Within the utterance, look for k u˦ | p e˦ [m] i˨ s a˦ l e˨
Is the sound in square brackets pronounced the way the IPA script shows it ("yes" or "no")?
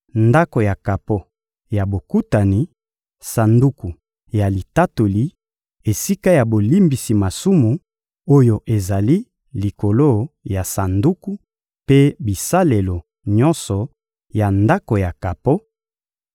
no